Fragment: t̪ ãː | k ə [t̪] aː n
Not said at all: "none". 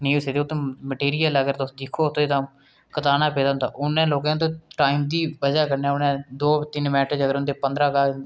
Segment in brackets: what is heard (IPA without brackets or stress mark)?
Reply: t̪